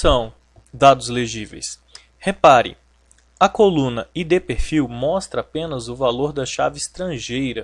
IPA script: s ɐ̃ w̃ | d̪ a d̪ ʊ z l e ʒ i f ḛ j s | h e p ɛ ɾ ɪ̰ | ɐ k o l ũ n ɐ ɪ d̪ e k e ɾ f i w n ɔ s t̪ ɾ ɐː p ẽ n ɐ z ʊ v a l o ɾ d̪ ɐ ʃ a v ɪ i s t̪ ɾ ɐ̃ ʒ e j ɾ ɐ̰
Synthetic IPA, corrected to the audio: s ɐ̃ w̃ | d̪ a d̪ ʊ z l e ʒ i v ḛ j s | h e p a ɾ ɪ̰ | ɐ k o l ũ n ɐ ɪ d̪ e p e ɾ f i w m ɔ s t̪ ɾ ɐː p ẽ n ɐ z ʊ v a l o ɾ d̪ ɐ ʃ a v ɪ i s t̪ ɾ ɐ̃ ʒ e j ɾ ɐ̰